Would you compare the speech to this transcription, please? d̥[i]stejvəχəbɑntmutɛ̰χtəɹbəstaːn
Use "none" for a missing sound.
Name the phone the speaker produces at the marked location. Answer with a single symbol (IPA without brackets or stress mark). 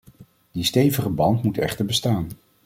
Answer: i